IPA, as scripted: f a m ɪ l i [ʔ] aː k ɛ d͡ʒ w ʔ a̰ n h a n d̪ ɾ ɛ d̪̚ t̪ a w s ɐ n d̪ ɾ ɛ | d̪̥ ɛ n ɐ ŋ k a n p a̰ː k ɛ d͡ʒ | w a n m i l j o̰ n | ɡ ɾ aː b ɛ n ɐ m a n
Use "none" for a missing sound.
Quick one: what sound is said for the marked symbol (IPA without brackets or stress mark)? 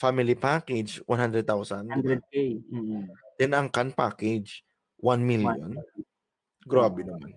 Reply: p